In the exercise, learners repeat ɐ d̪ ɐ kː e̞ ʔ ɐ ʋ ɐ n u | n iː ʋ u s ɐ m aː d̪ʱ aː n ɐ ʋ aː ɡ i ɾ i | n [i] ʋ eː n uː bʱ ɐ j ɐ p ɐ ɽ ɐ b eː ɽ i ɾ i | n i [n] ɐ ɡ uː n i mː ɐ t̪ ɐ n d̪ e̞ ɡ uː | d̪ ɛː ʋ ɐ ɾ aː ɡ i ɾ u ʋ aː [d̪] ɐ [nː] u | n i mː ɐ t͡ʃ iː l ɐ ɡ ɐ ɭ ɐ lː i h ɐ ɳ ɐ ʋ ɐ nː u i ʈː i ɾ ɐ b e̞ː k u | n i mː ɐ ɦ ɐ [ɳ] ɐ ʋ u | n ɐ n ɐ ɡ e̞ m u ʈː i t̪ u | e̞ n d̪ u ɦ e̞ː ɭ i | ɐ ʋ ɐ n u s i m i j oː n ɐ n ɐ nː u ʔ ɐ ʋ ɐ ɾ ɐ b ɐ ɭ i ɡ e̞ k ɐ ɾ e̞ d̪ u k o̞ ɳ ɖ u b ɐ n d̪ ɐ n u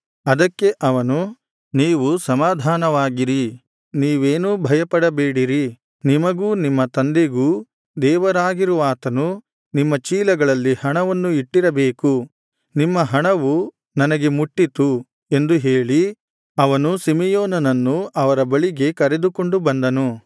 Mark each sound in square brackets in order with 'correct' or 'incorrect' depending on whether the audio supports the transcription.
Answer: incorrect: iː, incorrect: m, incorrect: t̪, incorrect: n, correct

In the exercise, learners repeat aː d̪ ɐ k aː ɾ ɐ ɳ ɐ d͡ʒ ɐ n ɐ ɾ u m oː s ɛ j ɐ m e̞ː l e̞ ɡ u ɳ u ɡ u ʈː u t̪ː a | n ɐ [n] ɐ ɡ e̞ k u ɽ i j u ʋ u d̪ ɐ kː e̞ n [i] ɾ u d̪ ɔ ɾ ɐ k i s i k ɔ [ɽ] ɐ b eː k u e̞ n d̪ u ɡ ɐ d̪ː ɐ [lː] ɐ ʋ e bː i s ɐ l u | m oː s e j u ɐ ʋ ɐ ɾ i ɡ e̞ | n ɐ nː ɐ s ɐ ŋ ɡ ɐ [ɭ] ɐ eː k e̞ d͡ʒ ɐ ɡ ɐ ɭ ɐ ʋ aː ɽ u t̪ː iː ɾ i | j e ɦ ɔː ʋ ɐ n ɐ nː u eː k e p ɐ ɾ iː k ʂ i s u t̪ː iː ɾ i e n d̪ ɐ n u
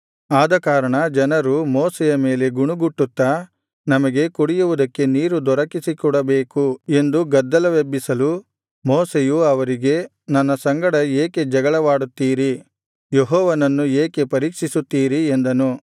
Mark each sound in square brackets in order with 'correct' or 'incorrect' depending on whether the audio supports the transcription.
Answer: incorrect: m, incorrect: iː, correct, incorrect: l, incorrect: ɽ

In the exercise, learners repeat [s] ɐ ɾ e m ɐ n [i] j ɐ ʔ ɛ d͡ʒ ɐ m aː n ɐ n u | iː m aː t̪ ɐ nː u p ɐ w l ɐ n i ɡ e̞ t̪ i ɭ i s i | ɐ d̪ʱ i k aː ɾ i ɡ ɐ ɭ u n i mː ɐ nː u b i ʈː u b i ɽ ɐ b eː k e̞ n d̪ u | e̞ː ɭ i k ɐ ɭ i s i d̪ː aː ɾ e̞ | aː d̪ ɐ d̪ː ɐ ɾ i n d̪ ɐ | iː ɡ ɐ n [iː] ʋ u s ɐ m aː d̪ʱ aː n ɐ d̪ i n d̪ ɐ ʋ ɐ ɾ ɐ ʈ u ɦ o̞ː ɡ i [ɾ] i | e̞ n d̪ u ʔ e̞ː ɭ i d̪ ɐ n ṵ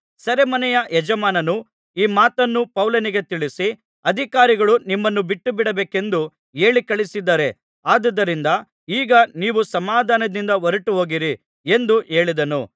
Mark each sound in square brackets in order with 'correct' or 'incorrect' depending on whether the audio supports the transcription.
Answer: correct, incorrect: ɛ, correct, correct

